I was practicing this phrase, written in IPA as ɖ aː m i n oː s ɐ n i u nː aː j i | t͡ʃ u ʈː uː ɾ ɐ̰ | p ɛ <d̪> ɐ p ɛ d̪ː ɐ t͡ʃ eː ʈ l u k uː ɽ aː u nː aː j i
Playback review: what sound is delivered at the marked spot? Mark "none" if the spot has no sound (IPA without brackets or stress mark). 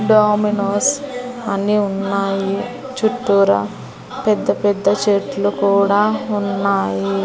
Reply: d̪ː